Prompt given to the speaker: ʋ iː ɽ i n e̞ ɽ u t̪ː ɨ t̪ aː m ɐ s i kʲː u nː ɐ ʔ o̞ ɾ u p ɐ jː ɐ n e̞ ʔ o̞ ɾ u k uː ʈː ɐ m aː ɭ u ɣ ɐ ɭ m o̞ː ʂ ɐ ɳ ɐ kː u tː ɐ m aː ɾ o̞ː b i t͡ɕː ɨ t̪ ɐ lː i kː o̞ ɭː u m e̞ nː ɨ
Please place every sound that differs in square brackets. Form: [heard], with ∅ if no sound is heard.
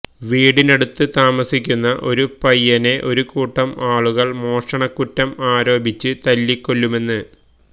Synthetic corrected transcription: ʋ iː ɽ i n e̞ ɽ u t̪ː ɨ t̪ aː m ɐ s i kʲː u nː ɐ ʔ o̞ ɾ u p ɐ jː ɐ n e̞ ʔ o̞ ɾ u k uː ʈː ɐ m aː ɭ u ɣ ɐ ɭ m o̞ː ʂ ɐ ɳ ɐ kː u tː ɐ m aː ɾ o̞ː b i t͡ɕː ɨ t̪ ɐ lː i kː o̞ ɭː u m e̞ nː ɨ